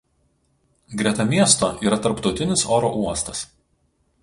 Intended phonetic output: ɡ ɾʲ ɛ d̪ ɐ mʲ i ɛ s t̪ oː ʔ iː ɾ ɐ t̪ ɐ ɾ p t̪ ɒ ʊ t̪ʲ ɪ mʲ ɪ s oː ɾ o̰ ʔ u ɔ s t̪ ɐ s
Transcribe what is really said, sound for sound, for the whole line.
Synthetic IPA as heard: ɡ ɾʲ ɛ t̪ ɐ mʲ i ɛ s t̪ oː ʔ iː ɾ ɐ t̪ ɐ ɾ p t̪ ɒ ʊ t̪ʲ ɪ nʲ ɪ s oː ɾ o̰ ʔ u ɔ s t̪ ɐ s